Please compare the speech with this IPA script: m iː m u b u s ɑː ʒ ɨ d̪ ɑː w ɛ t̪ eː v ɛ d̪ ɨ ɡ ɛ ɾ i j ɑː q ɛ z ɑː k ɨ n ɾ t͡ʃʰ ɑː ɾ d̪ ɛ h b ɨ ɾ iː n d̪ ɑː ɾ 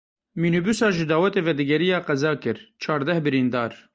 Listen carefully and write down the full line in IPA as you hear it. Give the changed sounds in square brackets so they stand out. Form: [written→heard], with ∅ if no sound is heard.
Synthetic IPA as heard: m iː [m→n] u b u s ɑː ʒ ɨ d̪ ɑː w ɛ t̪ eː v ɛ d̪ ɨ ɡ ɛ ɾ i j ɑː q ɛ z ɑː k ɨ [n→∅] ɾ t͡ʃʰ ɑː ɾ d̪ ɛ h b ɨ ɾ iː n d̪ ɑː ɾ

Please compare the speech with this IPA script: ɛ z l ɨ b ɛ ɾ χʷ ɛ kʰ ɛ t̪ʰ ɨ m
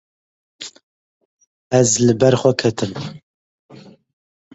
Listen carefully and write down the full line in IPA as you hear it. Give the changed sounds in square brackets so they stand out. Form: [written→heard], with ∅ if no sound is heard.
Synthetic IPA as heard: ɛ z l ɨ b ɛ ɾ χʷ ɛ kʰ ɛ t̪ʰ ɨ m

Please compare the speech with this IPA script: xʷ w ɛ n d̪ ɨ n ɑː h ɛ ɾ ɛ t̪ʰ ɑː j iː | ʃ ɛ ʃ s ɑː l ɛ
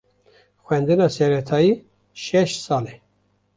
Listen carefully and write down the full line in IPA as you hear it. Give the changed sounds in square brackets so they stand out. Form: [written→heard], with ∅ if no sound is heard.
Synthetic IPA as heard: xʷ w ɛ n d̪ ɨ n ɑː [h→s] ɛ ɾ ɛ t̪ʰ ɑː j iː | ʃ ɛ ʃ s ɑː l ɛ

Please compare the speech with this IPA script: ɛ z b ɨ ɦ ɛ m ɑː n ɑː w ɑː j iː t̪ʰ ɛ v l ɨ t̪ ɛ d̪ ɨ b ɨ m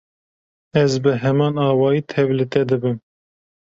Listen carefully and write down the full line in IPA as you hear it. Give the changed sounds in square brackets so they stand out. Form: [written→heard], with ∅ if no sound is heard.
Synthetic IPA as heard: ɛ z b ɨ ɦ ɛ m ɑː n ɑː w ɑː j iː t̪ʰ ɛ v l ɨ t̪ ɛ d̪ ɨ b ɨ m

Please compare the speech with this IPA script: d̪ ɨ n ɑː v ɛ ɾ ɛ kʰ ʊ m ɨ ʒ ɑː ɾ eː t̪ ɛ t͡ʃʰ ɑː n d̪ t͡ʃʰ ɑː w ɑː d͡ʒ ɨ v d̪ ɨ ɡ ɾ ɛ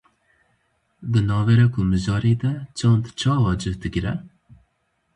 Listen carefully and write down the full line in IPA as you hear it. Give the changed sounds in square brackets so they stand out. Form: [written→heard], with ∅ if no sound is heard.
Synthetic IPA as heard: d̪ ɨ n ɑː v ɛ ɾ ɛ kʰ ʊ m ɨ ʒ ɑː ɾ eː [t̪→d̪] ɛ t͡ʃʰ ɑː n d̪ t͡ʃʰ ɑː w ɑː d͡ʒ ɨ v d̪ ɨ ɡ ɾ ɛ

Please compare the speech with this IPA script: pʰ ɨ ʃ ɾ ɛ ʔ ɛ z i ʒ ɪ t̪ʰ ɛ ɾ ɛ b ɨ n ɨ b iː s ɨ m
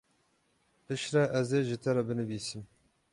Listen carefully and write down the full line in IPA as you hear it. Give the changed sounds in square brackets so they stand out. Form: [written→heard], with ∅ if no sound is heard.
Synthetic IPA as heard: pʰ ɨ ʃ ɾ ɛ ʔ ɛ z [i→e] ʒ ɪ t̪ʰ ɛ ɾ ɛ b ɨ n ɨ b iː s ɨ m

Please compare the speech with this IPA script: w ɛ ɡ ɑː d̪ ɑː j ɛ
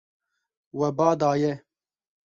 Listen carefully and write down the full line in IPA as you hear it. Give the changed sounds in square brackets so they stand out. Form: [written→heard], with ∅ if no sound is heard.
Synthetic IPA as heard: w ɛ [ɡ→b] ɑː d̪ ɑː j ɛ

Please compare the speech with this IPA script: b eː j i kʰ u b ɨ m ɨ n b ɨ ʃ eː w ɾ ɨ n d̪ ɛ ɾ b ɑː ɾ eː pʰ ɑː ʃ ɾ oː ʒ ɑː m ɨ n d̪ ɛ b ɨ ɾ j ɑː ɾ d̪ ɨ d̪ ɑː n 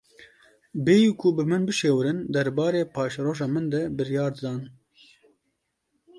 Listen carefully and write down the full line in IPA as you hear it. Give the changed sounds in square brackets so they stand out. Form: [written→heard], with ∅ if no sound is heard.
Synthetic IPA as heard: b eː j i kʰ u b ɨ m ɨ n b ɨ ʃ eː w ɾ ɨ n d̪ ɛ ɾ b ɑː ɾ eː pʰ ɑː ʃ ɾ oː ʒ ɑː m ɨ n d̪ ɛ b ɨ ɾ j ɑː ɾ d̪ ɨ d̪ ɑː n

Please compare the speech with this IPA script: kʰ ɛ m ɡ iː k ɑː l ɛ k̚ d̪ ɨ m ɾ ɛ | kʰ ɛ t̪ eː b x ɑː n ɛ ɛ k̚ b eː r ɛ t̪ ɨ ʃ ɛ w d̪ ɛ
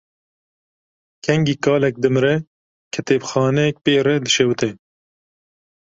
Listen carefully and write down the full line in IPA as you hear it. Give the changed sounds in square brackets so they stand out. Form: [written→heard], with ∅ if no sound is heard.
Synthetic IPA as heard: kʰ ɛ [m→ŋ] ɡ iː k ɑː l ɛ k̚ d̪ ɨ m ɾ ɛ | kʰ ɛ t̪ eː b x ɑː n ɛ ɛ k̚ [b→p] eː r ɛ [t̪→d̪] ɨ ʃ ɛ w [d̪→t̪] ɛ

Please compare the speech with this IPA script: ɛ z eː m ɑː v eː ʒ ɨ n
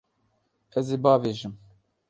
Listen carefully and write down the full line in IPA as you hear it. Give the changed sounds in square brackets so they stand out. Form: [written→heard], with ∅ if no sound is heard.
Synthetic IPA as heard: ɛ z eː [m→b] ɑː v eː ʒ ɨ [n→m]

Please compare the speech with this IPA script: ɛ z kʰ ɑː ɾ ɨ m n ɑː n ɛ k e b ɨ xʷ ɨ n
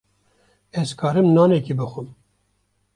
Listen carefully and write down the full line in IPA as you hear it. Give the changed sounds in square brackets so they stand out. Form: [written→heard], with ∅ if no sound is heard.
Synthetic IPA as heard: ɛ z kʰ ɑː ɾ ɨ m n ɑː n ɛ k [e→i] b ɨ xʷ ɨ [n→m]

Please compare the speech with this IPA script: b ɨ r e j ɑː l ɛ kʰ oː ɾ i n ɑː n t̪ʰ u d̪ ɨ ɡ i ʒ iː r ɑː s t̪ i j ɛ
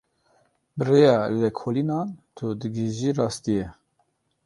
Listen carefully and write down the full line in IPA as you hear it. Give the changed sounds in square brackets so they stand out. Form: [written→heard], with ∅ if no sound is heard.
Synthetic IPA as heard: b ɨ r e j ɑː l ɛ kʰ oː [ɾ→l] i n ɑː n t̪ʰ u d̪ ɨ ɡ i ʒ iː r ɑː s t̪ i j ɛ

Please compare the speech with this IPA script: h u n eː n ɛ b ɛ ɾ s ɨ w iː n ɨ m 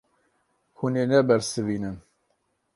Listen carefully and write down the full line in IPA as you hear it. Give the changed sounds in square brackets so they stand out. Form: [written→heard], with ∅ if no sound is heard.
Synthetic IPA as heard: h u n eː n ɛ b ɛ ɾ s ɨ [w→v] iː n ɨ [m→n]

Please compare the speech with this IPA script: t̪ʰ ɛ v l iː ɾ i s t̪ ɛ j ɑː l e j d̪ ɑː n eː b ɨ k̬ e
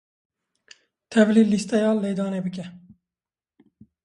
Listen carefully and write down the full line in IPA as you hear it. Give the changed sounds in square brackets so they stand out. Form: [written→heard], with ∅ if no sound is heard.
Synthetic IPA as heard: t̪ʰ ɛ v l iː [ɾ→l] i s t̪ ɛ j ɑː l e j d̪ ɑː n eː b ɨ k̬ [e→ɛ]

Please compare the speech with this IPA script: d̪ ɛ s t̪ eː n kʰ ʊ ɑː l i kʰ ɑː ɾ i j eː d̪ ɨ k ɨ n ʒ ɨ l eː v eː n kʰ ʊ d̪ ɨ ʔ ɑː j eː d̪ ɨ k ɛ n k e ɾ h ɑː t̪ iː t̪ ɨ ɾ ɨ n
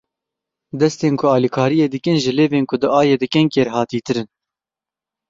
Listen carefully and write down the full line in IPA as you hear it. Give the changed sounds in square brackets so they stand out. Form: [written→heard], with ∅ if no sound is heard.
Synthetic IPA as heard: d̪ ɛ s t̪ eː n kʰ ʊ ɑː l i kʰ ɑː ɾ i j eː d̪ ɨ k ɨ n ʒ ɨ l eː v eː n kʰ ʊ d̪ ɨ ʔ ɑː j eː d̪ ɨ k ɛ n k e ɾ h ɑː t̪ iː t̪ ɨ ɾ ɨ n

